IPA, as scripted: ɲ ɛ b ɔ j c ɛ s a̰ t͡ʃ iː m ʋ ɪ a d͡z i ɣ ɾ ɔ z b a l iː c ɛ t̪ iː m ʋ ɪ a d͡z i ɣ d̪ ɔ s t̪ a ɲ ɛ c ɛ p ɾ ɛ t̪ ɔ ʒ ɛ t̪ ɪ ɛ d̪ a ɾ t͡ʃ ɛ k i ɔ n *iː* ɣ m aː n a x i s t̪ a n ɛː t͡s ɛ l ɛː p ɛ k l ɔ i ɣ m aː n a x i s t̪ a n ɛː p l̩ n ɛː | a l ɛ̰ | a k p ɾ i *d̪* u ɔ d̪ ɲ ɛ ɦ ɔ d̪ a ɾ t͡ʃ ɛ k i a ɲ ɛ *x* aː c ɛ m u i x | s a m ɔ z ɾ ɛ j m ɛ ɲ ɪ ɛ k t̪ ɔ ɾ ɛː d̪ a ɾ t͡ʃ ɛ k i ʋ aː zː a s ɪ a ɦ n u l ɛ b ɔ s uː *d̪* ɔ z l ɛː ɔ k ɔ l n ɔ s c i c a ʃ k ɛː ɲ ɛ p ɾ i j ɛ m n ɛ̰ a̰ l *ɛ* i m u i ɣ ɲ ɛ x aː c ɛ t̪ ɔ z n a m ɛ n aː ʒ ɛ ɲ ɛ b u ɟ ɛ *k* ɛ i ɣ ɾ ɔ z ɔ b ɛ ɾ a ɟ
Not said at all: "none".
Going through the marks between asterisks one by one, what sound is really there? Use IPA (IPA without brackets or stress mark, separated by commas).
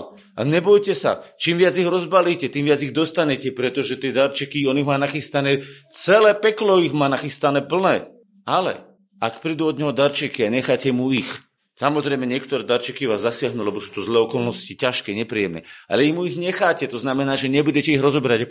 i, d̪, x, t̪, ɛ, c